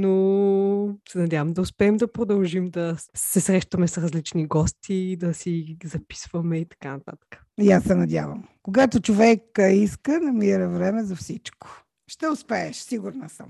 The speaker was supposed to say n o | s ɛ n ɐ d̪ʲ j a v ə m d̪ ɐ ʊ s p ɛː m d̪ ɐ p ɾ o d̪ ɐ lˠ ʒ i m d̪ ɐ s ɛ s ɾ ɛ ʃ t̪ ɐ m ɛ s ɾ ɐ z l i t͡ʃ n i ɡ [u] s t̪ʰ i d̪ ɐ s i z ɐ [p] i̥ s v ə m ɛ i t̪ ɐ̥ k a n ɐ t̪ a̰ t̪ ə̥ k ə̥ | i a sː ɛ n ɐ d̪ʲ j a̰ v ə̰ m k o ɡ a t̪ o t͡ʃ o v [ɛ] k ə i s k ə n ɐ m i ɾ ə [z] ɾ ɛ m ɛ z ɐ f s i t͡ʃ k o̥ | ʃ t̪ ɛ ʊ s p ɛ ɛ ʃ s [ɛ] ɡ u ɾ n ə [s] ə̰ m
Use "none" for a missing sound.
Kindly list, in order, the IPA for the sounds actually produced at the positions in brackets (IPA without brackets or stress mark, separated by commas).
ɔ, p, ɛ, v, i, s